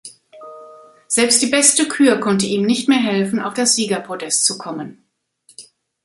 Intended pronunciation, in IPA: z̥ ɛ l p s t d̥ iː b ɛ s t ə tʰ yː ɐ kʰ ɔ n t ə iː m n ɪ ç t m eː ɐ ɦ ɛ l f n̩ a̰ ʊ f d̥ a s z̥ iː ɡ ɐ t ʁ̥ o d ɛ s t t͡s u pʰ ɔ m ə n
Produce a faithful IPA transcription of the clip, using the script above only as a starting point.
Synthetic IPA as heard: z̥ ɛ l p s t d̥ iː b ɛ s t ə kʰ yː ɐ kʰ ɔ n t ə iː m n ɪ ç t m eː ɐ ɦ ɛ l f n̩ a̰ ʊ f d̥ a s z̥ iː ɡ ɐ p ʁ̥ o d ɛ s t t͡s u kʰ ɔ m ə n